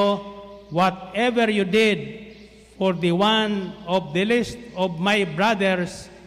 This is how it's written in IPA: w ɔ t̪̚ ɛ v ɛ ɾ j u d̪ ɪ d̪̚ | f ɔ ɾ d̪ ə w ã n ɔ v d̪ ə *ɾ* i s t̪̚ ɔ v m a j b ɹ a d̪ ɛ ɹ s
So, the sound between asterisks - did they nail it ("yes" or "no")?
no